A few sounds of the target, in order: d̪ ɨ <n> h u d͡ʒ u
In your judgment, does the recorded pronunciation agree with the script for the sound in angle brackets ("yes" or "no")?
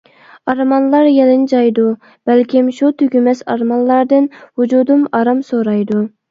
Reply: yes